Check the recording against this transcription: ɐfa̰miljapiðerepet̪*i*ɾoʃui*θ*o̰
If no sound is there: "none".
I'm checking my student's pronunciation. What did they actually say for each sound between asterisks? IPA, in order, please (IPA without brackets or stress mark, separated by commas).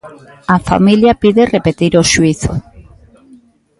i, θ